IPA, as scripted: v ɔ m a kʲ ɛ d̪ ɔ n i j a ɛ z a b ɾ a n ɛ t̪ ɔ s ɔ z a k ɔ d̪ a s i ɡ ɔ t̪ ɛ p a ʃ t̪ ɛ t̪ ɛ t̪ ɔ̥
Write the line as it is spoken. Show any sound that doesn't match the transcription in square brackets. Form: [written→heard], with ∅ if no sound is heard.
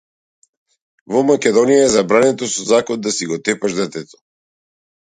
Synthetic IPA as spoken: v ɔ m a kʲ ɛ d̪ ɔ n i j a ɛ z a b ɾ a n ɛ t̪ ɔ s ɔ z a k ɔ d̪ a s i ɡ ɔ t̪ ɛ p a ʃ [t̪→d̪] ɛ t̪ ɛ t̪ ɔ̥

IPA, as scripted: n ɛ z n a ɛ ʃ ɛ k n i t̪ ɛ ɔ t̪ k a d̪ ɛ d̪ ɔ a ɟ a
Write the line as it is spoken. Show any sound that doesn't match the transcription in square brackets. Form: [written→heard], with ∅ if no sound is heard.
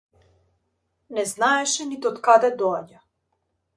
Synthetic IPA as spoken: n ɛ z n a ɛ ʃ ɛ [k→∅] n i t̪ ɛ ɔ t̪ k a d̪ ɛ d̪ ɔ a ɟ a

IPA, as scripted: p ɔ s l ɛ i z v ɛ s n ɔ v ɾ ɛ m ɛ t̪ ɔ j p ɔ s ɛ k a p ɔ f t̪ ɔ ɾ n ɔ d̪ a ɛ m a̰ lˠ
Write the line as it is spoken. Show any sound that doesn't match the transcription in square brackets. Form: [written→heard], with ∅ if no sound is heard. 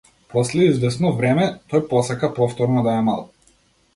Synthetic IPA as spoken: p ɔ s l ɛ i z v ɛ s n ɔ v ɾ ɛ m ɛ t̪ ɔ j p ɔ s [ɛ→a] k a p ɔ f t̪ ɔ ɾ n ɔ d̪ a ɛ m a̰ lˠ

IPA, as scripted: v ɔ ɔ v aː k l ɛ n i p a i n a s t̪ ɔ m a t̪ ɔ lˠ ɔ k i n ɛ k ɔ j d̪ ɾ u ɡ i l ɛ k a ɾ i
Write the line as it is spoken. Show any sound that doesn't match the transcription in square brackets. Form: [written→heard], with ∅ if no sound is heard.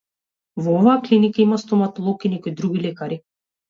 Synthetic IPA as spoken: v ɔ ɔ v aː k l [ɛ→i] n i [p→k] a i [n→m] a s t̪ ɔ m a t̪ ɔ lˠ ɔ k i n ɛ k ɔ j d̪ ɾ u ɡ i l ɛ k a ɾ i

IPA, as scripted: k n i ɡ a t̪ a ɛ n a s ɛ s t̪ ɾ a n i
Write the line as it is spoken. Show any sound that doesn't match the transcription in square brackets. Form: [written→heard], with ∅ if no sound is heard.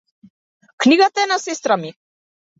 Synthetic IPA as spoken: k n i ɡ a t̪ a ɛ n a s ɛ s t̪ ɾ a [n→m] i

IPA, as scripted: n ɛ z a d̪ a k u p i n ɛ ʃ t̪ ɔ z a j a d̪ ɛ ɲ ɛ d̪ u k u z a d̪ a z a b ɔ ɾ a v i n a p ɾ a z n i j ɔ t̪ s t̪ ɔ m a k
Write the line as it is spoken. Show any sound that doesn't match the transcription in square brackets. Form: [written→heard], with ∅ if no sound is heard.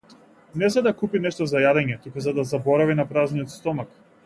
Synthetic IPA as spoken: n ɛ z a d̪ a k u p i n ɛ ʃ t̪ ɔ z a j a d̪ ɛ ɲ ɛ [d̪→t̪] u k u z a d̪ a z a b ɔ ɾ a v i n a p ɾ a z n i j ɔ t̪ s t̪ ɔ m a k

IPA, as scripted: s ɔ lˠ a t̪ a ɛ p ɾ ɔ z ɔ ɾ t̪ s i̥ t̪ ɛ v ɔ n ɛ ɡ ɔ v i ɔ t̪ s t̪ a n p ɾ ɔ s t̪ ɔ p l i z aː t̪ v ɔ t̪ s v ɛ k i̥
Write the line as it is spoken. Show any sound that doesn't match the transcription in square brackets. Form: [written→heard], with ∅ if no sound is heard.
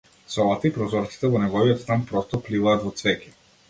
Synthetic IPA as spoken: s ɔ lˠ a t̪ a [ɛ→i] p ɾ ɔ z ɔ ɾ t̪ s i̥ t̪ ɛ v ɔ n ɛ ɡ ɔ v i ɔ t̪ s t̪ a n p ɾ ɔ s t̪ ɔ p l i [z→v] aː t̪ v ɔ t̪ s v ɛ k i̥

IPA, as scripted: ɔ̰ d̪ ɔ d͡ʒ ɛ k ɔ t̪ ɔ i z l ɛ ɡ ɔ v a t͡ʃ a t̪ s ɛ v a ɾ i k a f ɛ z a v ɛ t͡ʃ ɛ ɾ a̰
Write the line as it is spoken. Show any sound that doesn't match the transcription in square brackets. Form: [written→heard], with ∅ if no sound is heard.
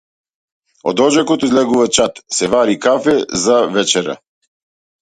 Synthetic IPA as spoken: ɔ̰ d̪ ɔ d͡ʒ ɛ k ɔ t̪ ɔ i z l ɛ ɡ [ɔ→u] v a t͡ʃ a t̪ s ɛ v a ɾ i k a f ɛ z a v ɛ t͡ʃ ɛ ɾ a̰

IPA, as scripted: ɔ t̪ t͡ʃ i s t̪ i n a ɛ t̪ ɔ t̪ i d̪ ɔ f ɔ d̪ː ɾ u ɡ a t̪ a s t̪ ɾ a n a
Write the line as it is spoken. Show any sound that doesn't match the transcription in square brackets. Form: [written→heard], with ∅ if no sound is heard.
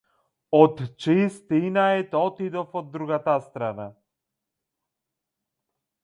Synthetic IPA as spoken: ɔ t̪ t͡ʃ i s t̪ i n a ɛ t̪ ɔ t̪ i d̪ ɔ f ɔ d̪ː ɾ u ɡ a t̪ a s t̪ ɾ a n a

